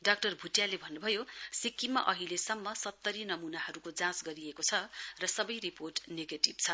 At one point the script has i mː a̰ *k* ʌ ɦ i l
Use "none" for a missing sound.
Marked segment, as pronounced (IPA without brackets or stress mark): ʔ